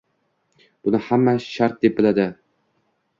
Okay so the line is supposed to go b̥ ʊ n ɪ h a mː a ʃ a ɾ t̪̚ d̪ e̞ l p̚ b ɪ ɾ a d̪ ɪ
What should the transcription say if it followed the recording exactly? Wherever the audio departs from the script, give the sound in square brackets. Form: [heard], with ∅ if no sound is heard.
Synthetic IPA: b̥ ʊ n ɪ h a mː a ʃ a ɾ t̪̚ d̪ e̞ [∅] p̚ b ɪ [l] a d̪ ɪ